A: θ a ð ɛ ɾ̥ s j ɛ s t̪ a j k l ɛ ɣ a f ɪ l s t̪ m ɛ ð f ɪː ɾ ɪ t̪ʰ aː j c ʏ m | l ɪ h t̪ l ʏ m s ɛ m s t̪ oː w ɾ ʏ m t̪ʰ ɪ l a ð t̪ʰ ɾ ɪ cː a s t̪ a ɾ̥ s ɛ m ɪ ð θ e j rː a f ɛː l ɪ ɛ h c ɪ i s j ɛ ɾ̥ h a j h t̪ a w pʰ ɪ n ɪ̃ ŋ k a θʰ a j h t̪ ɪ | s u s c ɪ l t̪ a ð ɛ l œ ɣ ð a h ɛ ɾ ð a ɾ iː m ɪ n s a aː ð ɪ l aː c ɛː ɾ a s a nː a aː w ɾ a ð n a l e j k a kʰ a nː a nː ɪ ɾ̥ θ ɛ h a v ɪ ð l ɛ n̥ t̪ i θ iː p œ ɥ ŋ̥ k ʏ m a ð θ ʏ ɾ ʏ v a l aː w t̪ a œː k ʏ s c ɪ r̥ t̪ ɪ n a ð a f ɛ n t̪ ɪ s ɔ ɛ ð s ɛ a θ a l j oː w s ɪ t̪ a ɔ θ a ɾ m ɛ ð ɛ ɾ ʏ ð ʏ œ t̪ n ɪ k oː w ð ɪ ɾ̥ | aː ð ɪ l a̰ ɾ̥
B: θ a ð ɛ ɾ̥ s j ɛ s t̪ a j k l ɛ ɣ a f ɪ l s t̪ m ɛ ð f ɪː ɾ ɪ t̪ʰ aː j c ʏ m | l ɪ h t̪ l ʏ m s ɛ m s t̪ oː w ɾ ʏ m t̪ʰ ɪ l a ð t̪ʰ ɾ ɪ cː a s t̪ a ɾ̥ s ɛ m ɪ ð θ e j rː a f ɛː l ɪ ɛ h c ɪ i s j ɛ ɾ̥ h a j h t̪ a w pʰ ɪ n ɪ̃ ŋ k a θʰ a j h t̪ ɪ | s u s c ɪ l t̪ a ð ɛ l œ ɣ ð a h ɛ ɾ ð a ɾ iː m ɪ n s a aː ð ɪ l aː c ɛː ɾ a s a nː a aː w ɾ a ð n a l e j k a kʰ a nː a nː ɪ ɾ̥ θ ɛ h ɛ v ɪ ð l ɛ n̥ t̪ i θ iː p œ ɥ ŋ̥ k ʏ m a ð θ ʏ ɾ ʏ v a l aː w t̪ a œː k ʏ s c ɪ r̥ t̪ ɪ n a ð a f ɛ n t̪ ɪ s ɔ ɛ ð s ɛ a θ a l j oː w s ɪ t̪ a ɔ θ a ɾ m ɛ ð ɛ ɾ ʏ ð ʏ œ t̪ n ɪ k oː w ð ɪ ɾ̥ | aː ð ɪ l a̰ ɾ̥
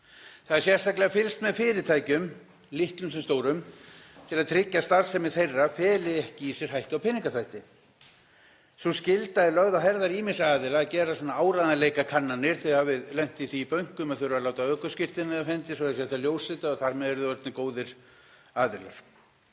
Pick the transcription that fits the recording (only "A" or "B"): A